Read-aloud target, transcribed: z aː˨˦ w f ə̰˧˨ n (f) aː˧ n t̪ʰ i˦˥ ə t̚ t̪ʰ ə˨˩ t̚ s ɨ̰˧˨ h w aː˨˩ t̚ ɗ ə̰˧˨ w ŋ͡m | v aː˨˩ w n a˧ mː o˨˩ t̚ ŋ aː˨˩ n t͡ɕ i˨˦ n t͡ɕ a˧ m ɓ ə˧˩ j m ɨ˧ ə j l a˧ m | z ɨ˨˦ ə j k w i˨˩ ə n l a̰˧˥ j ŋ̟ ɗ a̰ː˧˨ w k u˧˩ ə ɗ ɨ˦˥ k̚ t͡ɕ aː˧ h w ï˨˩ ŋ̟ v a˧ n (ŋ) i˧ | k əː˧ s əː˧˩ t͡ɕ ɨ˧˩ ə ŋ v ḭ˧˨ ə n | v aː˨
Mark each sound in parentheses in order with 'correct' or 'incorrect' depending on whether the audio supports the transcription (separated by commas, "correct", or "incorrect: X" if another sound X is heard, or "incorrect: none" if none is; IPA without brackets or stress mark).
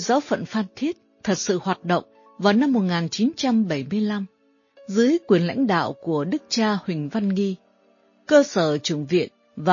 correct, correct